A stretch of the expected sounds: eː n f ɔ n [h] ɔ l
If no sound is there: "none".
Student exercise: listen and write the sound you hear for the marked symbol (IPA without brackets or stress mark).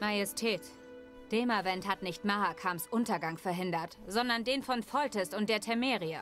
f